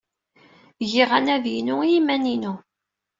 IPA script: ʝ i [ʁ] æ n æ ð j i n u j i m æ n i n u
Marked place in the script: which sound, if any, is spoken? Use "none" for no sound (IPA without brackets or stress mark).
ʁ